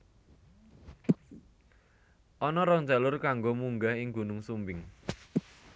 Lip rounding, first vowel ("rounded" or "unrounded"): rounded